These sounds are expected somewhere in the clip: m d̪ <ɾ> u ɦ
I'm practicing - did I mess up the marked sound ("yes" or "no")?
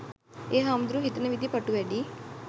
no